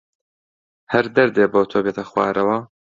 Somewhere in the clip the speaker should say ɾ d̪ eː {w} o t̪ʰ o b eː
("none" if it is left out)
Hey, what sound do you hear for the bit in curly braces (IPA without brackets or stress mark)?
b